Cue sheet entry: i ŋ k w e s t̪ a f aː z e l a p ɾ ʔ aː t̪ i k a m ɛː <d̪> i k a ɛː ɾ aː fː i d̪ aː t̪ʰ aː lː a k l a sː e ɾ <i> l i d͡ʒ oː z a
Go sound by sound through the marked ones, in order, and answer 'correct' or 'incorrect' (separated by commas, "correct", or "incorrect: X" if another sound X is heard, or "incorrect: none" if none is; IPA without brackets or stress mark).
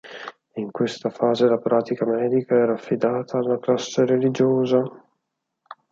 correct, incorrect: e